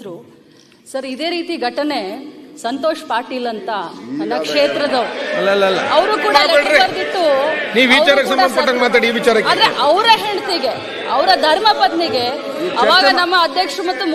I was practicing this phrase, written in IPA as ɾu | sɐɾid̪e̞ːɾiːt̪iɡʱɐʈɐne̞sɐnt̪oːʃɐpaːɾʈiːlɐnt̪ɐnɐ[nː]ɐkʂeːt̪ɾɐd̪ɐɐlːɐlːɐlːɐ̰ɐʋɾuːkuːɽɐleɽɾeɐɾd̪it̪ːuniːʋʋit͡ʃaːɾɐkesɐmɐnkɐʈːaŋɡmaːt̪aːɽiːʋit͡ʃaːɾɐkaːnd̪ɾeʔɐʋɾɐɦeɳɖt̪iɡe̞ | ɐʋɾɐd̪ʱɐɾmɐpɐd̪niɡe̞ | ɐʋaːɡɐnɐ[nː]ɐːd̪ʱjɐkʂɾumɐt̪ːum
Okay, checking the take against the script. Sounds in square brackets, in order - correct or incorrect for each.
correct, incorrect: mː

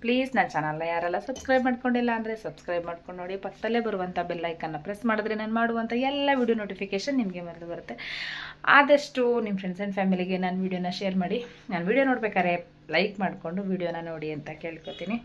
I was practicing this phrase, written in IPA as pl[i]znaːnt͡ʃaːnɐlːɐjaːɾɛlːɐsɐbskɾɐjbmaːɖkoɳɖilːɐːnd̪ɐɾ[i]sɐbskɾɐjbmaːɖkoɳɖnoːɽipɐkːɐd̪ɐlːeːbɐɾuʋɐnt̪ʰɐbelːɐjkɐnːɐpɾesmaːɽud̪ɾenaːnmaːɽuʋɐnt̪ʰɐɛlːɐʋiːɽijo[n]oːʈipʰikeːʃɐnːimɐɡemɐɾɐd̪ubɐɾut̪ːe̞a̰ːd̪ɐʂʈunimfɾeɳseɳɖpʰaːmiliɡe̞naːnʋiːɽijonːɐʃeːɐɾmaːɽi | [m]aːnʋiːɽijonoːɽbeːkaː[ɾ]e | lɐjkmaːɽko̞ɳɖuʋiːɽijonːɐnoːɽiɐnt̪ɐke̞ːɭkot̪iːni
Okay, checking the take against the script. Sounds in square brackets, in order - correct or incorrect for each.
incorrect: iː, incorrect: e, correct, incorrect: n, correct

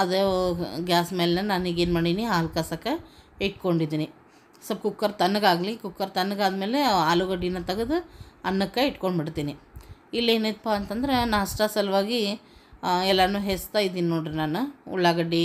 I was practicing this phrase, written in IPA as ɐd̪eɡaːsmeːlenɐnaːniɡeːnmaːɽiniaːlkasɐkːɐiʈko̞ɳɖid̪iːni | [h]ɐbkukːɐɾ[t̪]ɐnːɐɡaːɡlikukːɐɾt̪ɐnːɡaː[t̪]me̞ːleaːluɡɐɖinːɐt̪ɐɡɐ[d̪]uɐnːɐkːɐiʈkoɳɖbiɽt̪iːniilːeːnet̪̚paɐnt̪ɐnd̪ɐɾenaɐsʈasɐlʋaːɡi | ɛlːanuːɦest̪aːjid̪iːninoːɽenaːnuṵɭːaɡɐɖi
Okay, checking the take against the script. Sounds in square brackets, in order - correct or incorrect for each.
incorrect: s, correct, incorrect: d̪, correct

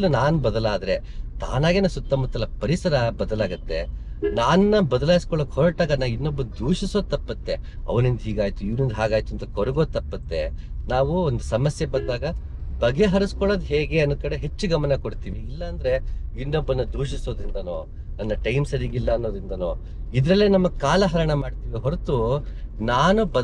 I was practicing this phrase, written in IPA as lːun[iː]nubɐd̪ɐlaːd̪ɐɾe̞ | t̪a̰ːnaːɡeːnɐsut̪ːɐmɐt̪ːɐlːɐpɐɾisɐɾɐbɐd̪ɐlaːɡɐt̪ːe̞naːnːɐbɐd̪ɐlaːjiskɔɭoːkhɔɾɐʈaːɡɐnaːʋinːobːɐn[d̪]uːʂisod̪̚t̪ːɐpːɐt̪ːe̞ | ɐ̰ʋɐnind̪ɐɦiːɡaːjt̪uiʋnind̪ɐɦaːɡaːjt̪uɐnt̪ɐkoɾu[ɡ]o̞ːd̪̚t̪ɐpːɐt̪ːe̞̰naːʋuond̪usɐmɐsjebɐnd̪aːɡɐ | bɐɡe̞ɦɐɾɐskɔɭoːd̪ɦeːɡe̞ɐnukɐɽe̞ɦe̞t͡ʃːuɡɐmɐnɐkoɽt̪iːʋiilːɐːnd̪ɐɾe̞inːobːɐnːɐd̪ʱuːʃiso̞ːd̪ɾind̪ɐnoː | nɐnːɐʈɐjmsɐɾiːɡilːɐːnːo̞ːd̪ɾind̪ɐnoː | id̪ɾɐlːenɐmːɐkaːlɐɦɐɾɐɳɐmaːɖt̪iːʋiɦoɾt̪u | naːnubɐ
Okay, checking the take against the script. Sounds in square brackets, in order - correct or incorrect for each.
incorrect: aː, correct, correct

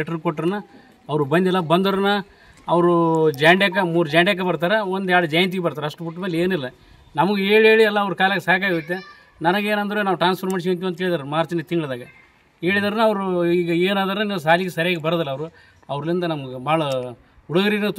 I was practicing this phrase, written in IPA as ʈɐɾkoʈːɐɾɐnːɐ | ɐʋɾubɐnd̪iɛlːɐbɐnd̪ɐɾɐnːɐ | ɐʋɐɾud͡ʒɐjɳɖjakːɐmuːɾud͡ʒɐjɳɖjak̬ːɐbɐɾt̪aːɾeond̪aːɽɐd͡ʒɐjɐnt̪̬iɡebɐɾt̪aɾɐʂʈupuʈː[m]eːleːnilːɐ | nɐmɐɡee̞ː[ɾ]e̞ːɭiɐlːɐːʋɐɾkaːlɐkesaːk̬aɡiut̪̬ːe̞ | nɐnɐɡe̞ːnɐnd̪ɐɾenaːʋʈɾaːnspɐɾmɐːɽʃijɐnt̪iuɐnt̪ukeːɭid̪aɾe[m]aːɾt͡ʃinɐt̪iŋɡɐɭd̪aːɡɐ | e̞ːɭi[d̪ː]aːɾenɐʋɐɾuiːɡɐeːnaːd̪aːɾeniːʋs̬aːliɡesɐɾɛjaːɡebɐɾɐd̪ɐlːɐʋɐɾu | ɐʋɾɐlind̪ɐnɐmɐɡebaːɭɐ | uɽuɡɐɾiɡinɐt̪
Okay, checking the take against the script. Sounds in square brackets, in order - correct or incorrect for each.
correct, incorrect: ɭ, correct, incorrect: d̪

